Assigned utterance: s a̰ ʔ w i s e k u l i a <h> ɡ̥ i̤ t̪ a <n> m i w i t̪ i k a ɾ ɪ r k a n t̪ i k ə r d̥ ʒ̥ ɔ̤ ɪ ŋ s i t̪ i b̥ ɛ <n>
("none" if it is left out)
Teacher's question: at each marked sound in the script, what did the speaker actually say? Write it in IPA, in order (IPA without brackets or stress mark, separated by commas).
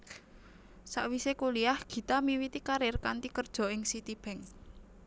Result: h, none, ŋ